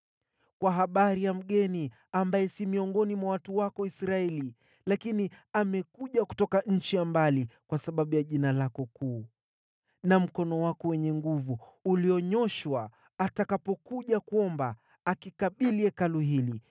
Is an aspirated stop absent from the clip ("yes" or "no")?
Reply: yes